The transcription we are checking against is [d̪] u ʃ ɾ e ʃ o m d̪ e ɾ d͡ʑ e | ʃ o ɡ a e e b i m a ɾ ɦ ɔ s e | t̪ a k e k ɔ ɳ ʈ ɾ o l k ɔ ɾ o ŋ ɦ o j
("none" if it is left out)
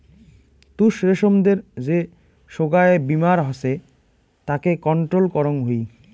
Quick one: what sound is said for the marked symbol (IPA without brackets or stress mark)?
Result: t̪